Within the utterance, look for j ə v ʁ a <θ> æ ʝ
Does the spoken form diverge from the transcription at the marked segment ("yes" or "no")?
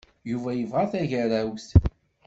no